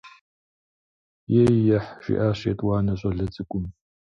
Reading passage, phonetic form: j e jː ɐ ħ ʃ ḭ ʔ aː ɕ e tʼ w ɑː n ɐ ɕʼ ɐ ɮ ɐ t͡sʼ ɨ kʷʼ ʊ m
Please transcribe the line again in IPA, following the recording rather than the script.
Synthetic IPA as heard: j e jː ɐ ħ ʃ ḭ ʔ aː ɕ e tʼ w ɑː n ɐ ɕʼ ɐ ɮ ɐ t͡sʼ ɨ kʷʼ ʊ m